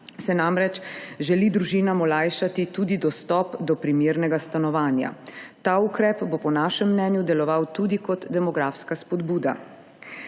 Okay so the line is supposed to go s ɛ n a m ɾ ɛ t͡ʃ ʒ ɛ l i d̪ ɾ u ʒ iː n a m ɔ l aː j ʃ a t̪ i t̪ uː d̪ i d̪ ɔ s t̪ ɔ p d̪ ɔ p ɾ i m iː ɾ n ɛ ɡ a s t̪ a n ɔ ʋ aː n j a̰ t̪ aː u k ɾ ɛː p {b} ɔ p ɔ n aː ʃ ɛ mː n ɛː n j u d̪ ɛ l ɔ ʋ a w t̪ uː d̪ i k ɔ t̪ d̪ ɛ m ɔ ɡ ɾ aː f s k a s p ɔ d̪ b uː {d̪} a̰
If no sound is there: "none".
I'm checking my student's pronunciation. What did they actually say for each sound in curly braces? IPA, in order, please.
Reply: b, d̪

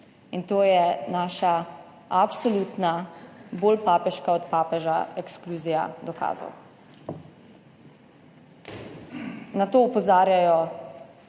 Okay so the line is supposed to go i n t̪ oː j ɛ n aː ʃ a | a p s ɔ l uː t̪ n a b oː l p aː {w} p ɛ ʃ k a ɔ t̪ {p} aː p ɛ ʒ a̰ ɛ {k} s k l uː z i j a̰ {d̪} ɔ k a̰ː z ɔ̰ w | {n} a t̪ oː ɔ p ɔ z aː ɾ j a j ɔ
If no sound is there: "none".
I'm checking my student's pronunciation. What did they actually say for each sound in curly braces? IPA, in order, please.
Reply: none, p, k, d̪, n

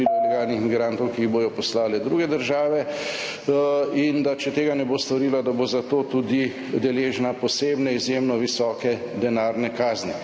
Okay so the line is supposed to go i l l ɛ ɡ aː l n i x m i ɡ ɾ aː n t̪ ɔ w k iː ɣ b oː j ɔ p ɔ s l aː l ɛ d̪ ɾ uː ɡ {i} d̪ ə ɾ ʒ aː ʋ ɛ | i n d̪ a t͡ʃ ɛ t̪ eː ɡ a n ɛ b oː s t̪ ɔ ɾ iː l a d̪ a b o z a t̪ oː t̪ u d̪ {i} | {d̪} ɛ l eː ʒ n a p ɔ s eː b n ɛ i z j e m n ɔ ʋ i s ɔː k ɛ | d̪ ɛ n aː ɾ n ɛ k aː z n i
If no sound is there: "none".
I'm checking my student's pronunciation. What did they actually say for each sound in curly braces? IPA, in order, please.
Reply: ɛ, i, d̪

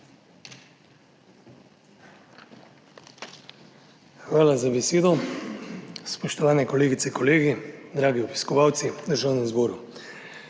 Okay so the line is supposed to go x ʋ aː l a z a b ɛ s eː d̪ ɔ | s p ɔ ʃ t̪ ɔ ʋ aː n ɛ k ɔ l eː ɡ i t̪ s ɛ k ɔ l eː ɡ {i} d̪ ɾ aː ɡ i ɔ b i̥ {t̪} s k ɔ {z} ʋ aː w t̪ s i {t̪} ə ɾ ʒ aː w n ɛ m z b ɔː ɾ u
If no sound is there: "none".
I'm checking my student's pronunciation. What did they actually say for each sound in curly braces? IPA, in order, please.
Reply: i, none, none, d̪

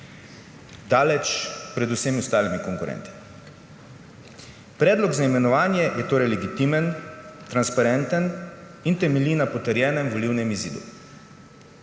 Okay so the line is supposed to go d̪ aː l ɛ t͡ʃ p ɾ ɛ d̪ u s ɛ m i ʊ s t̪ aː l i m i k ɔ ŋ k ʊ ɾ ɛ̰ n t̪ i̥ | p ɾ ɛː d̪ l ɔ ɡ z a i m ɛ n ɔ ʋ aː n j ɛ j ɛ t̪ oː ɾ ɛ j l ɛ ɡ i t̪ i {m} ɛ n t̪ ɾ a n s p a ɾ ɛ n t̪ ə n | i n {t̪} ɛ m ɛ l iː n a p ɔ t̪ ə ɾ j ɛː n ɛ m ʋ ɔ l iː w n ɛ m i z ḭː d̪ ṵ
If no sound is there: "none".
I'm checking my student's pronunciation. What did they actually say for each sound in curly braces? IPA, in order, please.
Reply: m, t̪

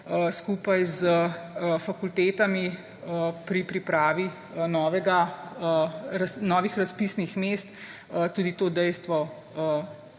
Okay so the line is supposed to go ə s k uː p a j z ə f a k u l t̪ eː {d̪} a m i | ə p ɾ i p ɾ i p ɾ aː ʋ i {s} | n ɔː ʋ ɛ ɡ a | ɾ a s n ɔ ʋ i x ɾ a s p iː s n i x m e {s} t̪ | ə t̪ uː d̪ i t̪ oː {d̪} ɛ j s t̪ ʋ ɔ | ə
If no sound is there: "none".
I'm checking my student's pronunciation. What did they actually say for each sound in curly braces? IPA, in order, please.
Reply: t̪, none, s, d̪

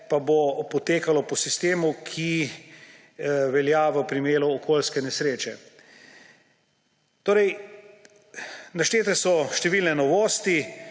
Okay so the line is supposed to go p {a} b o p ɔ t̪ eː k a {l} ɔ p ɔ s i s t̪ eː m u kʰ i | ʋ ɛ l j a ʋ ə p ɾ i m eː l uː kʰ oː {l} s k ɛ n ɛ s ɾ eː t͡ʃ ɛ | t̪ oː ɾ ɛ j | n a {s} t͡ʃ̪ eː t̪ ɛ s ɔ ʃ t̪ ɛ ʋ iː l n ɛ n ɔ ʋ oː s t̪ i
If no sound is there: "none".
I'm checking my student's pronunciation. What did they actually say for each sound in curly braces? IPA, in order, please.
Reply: a, l, l, ʃ

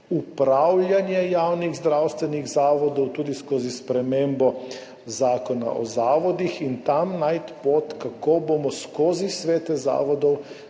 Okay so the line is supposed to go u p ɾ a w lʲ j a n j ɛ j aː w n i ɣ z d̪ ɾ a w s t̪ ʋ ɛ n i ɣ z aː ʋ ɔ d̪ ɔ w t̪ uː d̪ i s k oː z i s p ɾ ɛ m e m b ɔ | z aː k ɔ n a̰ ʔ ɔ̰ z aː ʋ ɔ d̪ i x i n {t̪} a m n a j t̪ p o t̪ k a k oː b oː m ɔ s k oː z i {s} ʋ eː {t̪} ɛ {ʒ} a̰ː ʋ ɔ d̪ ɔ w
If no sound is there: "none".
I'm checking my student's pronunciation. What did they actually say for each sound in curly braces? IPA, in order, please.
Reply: t̪, s, t̪, z

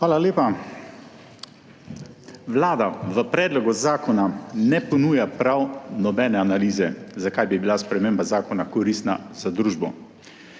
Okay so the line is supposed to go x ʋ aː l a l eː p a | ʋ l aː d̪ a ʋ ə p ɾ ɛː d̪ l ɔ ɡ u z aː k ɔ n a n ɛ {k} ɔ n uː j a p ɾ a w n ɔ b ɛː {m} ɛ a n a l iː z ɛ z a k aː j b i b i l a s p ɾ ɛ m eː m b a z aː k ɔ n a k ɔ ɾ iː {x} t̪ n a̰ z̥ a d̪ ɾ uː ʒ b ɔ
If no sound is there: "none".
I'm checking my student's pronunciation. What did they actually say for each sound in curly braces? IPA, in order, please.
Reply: p, n, s

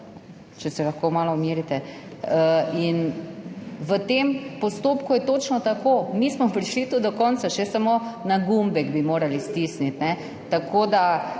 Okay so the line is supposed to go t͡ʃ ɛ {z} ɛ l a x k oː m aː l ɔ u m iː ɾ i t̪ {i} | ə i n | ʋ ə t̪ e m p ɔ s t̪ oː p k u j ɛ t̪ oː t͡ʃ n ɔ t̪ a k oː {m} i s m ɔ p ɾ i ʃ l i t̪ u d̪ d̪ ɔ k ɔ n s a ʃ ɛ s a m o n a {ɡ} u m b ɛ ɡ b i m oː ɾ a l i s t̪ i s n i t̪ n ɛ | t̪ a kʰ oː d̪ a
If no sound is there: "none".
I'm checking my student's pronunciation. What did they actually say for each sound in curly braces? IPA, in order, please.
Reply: s, ɛ, m, ɡ

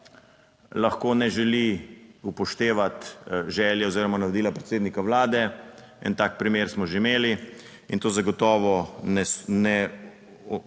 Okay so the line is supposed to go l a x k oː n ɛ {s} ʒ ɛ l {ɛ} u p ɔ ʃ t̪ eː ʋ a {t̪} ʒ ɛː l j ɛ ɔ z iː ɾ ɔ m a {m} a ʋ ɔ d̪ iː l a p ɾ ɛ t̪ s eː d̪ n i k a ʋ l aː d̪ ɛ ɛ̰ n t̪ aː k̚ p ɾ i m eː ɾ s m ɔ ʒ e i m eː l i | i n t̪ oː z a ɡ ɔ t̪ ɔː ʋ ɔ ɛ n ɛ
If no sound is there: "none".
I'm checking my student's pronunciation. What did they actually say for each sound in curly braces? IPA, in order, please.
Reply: none, i, t̪, n

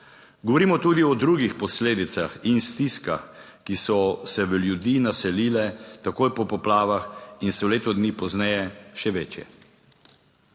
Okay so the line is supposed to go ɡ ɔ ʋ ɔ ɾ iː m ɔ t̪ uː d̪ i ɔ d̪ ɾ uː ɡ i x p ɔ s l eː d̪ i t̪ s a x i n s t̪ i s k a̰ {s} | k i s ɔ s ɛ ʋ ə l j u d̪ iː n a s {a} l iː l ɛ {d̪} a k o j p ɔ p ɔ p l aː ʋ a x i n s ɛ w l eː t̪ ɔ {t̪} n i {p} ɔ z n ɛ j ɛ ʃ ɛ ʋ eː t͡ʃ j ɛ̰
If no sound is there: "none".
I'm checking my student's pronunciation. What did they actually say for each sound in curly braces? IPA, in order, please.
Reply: x, ɛ, t̪, d̪, p

